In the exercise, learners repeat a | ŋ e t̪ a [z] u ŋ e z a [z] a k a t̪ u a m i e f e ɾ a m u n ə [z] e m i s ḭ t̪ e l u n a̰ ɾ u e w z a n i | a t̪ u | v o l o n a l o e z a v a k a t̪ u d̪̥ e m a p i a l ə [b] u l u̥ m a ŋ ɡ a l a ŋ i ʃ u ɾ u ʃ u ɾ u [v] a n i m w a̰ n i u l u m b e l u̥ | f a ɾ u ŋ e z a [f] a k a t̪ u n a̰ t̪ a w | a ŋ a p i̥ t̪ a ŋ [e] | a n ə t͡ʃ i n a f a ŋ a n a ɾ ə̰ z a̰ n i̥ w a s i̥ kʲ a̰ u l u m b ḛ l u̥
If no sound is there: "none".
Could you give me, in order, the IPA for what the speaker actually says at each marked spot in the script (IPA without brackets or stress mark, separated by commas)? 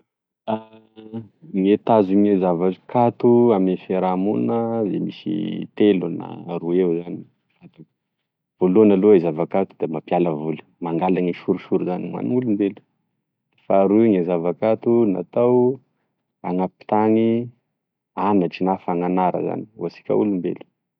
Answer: z, v, z, v, z, v, i